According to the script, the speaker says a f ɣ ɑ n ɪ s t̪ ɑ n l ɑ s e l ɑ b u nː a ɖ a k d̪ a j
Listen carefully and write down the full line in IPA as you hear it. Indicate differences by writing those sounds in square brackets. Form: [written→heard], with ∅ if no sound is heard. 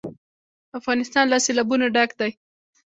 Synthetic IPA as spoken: a f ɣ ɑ n ɪ s t̪ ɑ n l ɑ s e l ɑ b u [nː→n] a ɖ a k d̪ a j